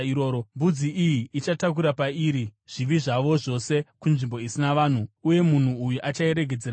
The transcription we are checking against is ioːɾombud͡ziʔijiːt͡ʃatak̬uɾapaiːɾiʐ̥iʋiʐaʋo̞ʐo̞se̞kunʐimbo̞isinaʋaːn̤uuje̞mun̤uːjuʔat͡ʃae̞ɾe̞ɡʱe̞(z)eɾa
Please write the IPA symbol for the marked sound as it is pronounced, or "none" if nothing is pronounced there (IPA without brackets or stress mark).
d͡z